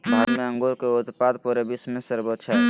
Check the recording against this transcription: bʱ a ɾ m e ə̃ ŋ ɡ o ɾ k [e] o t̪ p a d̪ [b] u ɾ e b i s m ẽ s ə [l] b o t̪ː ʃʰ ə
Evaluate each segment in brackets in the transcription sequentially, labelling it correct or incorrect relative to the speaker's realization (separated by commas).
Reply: correct, incorrect, incorrect